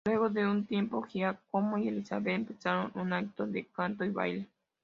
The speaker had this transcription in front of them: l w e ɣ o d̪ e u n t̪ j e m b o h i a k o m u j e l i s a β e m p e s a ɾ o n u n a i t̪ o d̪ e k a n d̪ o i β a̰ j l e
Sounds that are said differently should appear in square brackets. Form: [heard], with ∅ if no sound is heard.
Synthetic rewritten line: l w e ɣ o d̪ e u n t̪ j e m [p] o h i a k o m [o] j e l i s a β e m p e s a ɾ o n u n a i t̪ o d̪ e k a n [t̪] o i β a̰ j l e